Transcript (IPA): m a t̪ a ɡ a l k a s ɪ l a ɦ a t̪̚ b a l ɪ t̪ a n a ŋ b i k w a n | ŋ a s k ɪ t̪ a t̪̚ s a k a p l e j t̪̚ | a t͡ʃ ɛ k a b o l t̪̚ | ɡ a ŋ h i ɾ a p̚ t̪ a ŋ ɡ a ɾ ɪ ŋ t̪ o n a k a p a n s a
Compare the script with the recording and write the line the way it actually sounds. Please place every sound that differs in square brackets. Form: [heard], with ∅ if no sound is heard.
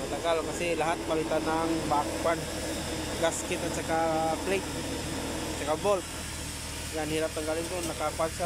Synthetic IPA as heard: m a t̪ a ɡ a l k a s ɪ l a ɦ a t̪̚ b a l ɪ t̪ a n a ŋ b [a] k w a n | [ɡ] a s k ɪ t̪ a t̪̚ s a k a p l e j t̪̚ | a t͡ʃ [a] k a b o l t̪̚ | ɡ a [n] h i ɾ a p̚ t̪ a ŋ ɡ a [l] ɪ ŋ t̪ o n a k a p a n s a